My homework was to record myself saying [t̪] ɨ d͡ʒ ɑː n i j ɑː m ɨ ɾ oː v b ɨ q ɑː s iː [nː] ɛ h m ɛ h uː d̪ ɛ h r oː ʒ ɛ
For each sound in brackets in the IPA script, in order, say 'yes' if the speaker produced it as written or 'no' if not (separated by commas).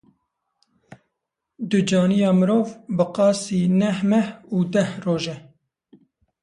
no, no